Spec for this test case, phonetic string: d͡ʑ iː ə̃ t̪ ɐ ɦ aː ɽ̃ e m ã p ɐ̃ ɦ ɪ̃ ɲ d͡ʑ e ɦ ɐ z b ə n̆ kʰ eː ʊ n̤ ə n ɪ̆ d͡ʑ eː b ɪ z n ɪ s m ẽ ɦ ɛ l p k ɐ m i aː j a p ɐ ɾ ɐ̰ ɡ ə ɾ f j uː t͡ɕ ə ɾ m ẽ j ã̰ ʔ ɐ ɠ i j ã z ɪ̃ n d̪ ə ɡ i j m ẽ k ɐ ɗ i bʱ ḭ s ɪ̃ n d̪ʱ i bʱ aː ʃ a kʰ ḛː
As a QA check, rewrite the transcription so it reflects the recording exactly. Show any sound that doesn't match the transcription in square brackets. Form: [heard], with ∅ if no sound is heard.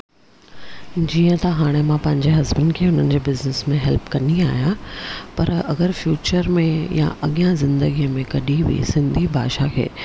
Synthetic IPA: d͡ʑ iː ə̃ t̪ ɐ ɦ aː ɽ̃ e m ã p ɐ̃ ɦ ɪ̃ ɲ d͡ʑ e ɦ ɐ z b ə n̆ kʰ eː ʊ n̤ ə n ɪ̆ d͡ʑ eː b ɪ z n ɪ s m ẽ ɦ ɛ l p k ɐ [n] i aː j a p ɐ ɾ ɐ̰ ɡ ə ɾ f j uː t͡ɕ ə ɾ m ẽ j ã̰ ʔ ɐ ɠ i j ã z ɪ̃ n d̪ ə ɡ i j m ẽ k ɐ ɗ i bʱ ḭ s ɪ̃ n d̪ʱ i bʱ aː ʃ a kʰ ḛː